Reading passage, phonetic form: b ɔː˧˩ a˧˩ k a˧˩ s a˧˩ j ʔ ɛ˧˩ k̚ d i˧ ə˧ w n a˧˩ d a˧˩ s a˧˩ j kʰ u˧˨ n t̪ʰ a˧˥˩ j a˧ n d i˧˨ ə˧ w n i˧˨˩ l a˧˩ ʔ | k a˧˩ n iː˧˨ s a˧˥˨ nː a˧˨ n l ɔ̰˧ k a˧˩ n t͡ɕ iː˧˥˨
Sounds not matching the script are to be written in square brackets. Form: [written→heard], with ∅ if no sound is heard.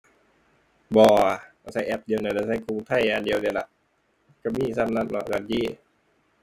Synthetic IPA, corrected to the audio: b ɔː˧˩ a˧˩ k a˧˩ s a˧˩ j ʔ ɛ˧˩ [k̚→p̚] d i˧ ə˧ w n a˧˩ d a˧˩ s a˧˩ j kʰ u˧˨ [n→ŋ] t̪ʰ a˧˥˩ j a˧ n d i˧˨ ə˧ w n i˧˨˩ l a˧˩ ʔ | k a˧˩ [n→m] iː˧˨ s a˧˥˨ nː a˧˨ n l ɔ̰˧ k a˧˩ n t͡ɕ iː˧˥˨

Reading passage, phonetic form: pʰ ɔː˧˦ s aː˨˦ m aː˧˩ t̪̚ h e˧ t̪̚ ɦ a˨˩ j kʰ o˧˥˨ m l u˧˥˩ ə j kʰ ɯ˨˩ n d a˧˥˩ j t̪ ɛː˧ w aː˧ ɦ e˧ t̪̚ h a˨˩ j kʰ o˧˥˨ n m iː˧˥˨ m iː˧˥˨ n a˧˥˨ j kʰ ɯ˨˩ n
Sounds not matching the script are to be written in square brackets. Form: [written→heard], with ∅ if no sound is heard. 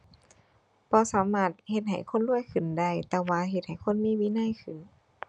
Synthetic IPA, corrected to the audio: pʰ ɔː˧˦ s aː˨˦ m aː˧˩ t̪̚ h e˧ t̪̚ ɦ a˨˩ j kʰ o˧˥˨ [m→n] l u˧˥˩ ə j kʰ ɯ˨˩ n d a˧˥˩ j t̪ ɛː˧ w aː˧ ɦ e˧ t̪̚ h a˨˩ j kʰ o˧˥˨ n m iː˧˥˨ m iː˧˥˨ n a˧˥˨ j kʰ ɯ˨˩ n

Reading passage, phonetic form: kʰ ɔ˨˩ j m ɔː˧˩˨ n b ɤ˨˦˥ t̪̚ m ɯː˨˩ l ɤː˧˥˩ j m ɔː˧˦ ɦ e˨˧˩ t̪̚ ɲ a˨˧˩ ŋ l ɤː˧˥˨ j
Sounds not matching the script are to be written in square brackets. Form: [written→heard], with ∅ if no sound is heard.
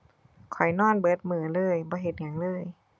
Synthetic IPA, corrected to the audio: kʰ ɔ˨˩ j [m→n] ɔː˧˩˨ n b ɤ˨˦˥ t̪̚ m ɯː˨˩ l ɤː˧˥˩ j [m→b] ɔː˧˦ ɦ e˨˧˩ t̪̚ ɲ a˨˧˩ ŋ l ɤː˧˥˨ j

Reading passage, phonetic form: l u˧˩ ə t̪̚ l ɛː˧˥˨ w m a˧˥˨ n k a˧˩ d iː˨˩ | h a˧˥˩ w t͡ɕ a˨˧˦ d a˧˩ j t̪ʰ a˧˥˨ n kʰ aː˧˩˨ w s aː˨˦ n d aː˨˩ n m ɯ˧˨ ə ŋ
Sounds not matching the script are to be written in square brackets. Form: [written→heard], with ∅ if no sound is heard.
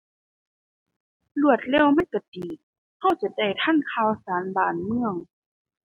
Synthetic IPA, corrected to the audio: l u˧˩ ə t̪̚ l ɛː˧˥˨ w m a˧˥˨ n k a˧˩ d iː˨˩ | h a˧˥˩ w t͡ɕ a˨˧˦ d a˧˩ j t̪ʰ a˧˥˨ n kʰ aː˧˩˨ w s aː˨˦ n [d→b] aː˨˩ n m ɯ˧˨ ə ŋ

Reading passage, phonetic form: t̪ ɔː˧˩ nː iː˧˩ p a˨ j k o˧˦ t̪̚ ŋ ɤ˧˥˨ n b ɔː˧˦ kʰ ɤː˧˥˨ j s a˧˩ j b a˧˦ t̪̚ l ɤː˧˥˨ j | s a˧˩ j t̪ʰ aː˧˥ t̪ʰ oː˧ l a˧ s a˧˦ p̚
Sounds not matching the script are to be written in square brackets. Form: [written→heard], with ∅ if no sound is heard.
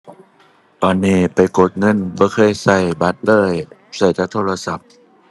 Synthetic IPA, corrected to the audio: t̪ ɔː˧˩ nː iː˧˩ p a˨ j k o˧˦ t̪̚ ŋ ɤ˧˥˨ n b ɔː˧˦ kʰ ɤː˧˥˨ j s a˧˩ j b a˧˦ t̪̚ l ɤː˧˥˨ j | s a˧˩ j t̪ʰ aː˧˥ t̪ʰ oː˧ l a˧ s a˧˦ p̚

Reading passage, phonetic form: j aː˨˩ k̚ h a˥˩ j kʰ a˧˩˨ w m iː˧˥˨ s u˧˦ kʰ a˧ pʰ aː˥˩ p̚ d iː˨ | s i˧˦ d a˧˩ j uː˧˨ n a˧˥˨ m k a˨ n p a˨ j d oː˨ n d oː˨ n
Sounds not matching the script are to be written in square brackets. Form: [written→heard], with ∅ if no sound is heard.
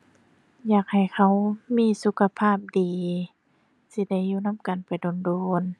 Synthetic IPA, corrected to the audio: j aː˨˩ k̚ h [a˥˩→a˨˩] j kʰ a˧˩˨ w m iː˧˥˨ s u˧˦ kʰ a˧ pʰ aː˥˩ p̚ d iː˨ | s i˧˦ d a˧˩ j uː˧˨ n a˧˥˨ m k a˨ n p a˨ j d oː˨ n d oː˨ n

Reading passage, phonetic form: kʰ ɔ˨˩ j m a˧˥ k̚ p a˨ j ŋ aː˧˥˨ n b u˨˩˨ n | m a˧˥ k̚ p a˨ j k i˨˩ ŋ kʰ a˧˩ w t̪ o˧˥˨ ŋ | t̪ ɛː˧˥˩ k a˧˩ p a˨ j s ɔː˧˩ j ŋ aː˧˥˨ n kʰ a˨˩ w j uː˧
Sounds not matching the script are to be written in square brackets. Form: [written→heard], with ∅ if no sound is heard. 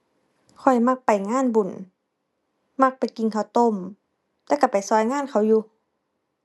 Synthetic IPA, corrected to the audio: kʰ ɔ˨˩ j m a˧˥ k̚ p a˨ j ŋ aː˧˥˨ n b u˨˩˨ n | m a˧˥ k̚ p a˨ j k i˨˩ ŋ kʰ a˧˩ w t̪ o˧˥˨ [ŋ→m] | t̪ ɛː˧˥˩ k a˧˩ p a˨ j s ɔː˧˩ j ŋ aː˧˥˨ n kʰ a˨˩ w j uː˧

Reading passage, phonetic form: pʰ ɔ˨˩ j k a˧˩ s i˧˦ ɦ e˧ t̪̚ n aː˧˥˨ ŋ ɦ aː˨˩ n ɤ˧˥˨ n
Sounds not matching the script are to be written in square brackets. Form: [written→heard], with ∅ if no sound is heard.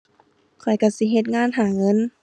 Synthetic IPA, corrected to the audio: [pʰ→kʰ] ɔ˨˩ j k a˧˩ s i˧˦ ɦ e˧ t̪̚ [n→ŋ] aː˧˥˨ [ŋ→n] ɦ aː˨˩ [n→ŋ] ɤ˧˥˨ n

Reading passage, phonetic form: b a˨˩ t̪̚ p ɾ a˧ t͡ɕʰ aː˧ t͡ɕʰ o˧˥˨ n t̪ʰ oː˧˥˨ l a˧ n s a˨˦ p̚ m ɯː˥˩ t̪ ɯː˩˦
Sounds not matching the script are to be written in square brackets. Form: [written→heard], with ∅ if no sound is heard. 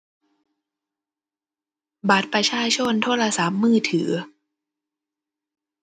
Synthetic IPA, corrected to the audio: b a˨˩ t̪̚ p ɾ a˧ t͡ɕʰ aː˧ t͡ɕʰ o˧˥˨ n t̪ʰ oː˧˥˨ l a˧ [n→∅] s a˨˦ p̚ m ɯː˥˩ [t̪→t̪ʰ] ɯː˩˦

